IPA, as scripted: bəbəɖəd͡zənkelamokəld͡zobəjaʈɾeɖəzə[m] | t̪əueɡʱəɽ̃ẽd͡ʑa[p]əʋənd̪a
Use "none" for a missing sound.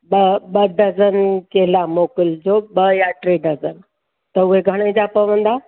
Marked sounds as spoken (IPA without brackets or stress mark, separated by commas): n, p